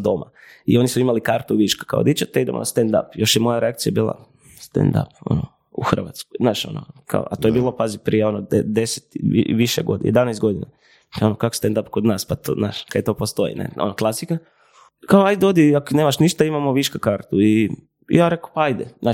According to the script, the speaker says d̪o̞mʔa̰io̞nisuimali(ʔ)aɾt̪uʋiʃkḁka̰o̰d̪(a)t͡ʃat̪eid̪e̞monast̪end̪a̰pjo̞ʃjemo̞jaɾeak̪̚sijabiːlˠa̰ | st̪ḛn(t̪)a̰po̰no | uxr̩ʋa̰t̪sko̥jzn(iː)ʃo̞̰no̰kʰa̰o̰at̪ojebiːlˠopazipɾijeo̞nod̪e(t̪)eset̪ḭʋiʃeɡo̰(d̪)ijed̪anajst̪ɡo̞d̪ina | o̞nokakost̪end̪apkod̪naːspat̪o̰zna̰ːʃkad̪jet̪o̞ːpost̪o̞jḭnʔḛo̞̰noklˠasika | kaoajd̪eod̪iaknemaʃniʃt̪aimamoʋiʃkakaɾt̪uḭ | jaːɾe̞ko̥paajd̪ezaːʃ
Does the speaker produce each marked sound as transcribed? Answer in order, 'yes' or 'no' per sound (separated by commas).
no, no, no, no, no, yes